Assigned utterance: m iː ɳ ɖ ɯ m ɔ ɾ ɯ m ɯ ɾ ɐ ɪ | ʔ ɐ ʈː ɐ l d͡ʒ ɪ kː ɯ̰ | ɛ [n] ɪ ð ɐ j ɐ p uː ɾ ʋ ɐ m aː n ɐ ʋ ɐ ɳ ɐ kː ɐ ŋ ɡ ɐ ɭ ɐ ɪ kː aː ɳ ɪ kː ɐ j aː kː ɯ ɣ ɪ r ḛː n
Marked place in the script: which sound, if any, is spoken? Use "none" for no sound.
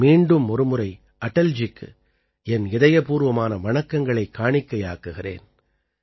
n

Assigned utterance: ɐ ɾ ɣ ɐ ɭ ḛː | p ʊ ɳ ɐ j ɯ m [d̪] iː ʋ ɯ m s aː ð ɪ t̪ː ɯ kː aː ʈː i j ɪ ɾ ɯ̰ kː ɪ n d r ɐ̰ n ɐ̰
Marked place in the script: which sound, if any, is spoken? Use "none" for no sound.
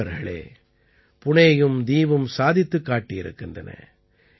d̪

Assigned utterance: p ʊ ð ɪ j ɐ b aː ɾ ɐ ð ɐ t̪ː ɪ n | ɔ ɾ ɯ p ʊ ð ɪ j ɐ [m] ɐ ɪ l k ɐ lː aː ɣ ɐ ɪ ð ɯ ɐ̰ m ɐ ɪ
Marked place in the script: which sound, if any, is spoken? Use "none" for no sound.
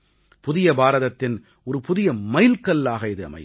m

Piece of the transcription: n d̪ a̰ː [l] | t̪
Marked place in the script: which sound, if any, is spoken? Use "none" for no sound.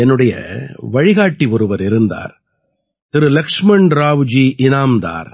ɾ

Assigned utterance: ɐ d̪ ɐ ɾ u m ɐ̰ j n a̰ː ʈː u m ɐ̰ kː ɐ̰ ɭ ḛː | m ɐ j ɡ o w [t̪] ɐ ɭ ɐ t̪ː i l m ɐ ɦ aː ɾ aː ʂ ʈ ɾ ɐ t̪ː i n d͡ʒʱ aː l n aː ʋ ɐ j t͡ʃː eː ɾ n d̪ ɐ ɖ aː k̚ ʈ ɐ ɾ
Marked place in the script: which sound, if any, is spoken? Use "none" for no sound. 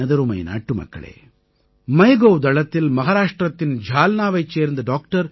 d̪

